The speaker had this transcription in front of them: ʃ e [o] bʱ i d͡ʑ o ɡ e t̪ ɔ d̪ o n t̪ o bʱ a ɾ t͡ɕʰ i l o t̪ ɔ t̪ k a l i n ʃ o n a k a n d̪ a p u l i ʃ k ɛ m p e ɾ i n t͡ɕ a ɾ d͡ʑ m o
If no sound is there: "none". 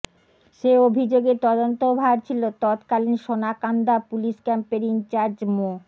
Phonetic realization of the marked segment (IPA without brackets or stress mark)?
o